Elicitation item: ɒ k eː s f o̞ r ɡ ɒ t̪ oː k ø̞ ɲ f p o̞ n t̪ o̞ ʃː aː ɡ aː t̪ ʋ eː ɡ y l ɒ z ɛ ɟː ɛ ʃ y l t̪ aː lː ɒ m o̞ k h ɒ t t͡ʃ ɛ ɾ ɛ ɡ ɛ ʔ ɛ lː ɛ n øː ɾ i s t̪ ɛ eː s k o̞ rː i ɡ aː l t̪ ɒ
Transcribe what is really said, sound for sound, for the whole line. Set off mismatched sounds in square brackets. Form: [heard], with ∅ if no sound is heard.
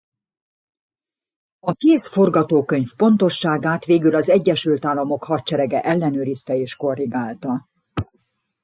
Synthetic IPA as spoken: ɒ k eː s f o̞ r ɡ ɒ t̪ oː k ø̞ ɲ f p o̞ n t̪ o̞ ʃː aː ɡ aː t̪ ʋ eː ɡ y l ɒ z ɛ ɟː ɛ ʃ y l t̪ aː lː ɒ m o̞ k h ɒ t t͡ʃ ɛ ɾ ɛ ɡ ɛ ʔ ɛ lː ɛ n øː ɾ i s t̪ ɛ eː [ʃ] k o̞ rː i ɡ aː l t̪ ɒ